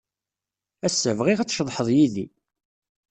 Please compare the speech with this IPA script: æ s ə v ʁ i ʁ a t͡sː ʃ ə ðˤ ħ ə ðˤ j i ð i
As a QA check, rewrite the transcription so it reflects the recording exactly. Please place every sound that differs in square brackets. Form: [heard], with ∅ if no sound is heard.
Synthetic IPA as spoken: æ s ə v ʁ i ʁ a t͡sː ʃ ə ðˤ ħ ə ðˤ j i ð i